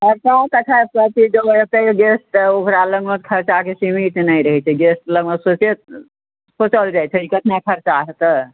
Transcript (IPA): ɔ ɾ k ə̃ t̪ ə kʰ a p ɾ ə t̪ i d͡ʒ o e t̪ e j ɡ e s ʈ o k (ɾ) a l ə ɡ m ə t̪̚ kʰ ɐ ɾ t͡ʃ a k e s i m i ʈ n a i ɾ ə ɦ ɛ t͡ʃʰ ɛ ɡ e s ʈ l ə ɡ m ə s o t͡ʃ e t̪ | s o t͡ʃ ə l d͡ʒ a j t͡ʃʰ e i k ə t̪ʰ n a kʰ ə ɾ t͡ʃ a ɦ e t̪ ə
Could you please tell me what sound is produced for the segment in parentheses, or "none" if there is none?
ɾ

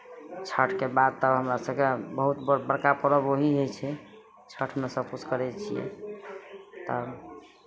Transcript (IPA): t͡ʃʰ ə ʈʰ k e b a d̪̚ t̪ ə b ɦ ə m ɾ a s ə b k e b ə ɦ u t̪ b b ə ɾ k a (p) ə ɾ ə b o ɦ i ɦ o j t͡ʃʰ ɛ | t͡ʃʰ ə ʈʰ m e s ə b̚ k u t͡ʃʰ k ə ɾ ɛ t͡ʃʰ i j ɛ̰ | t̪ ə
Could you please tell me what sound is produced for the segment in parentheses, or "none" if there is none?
p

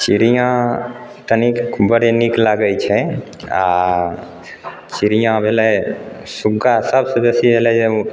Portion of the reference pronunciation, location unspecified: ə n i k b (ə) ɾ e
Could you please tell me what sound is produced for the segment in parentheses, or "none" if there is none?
ə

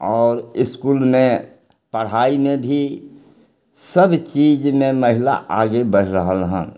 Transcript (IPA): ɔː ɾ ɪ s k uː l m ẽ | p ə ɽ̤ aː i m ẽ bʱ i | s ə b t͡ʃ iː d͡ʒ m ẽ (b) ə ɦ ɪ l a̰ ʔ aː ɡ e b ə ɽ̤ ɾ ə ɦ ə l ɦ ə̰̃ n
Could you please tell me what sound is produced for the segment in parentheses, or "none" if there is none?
m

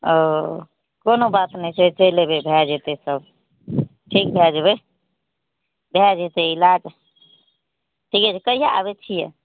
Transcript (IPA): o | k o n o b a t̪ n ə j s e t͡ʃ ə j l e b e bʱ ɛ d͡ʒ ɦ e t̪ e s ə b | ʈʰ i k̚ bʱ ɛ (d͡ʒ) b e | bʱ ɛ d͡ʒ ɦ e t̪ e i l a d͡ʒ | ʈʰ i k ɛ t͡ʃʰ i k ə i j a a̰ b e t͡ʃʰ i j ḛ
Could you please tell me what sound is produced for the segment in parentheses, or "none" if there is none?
d͡ʒ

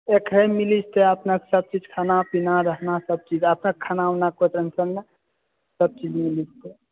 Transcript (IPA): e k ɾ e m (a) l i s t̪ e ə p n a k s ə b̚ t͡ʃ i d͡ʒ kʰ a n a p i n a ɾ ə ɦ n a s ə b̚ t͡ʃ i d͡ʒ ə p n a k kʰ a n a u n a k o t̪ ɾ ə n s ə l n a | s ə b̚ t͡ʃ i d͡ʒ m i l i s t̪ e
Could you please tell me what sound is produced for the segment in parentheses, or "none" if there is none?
i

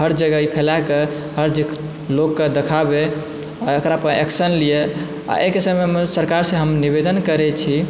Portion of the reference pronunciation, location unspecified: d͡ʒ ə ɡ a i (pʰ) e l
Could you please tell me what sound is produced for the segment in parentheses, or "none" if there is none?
pʰ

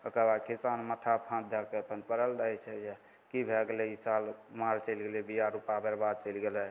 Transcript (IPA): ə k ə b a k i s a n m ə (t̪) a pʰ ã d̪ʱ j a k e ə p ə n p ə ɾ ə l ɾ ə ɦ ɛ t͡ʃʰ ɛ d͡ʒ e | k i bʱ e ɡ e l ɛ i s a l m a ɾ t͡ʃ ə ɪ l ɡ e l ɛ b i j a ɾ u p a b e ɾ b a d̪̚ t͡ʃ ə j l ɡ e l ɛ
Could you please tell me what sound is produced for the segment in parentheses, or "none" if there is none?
t̪ʰ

